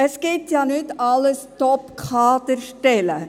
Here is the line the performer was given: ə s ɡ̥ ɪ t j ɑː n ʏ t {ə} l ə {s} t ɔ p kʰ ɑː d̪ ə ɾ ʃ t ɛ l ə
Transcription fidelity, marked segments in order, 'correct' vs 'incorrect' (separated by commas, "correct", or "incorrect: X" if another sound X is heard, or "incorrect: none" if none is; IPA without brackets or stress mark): incorrect: ɑ, correct